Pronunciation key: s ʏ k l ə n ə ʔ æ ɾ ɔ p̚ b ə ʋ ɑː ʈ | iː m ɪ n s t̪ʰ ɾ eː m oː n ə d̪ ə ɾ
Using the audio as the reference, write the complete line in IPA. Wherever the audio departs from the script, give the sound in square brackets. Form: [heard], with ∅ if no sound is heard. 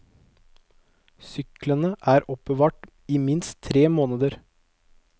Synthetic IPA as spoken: s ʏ k l ə n ə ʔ [æː] ɾ ɔ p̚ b ə ʋ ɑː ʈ | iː m ɪ n s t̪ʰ ɾ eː m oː n ə d̪ ə ɾ